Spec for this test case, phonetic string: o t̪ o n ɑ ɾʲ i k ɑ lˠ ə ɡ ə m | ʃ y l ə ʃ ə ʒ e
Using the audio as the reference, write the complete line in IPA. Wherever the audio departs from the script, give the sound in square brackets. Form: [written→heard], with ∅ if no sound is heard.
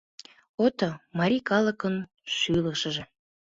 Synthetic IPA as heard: o t̪ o [n→m] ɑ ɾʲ i k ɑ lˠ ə [ɡ→k] ə [m→n] | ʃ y l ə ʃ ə ʒ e